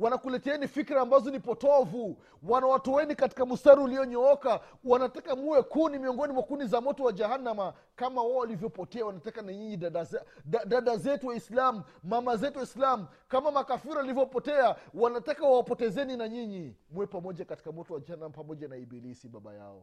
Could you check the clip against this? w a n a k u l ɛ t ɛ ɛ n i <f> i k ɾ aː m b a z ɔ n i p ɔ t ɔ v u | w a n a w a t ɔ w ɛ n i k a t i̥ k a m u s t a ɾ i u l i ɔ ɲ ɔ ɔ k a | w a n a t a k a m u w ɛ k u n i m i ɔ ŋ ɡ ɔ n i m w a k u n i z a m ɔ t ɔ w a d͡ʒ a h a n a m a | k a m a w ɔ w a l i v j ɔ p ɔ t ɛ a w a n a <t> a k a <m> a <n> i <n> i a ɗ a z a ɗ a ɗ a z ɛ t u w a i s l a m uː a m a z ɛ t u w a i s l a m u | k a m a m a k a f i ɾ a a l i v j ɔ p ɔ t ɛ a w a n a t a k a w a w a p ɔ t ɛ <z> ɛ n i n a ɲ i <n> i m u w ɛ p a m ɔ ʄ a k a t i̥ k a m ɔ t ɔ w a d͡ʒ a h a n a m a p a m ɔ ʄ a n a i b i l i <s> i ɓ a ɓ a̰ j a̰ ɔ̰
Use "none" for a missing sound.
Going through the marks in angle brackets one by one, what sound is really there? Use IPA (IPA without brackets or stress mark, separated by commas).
f, t, n, ɲ, ɲ, z, ɲ, s